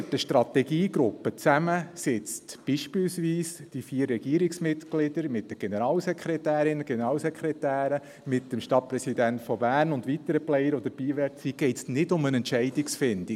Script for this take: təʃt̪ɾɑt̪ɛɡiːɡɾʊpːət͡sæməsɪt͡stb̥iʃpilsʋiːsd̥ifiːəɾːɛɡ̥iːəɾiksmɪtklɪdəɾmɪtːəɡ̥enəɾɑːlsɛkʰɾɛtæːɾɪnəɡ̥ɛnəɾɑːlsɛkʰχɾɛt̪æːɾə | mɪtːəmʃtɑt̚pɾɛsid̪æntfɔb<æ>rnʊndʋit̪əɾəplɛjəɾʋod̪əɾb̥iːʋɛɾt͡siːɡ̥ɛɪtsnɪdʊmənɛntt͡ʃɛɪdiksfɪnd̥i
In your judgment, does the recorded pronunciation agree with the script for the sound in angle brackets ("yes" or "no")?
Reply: no